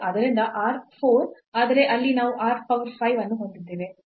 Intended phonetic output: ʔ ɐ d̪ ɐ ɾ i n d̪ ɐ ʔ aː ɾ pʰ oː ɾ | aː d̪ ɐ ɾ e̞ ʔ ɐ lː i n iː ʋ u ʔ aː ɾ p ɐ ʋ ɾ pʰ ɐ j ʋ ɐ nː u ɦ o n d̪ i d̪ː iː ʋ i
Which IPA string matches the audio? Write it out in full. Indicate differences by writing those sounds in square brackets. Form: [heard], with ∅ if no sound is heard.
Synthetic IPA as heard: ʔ ɐ d̪ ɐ ɾ i n d̪ ɐ ʔ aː ɾ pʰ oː ɾ | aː d̪ ɐ ɾ e̞ ʔ ɐ lː i n [aː] ʋ u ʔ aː ɾ p ɐ ʋ ɾ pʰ ɐ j ʋ ɐ nː u ɦ o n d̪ i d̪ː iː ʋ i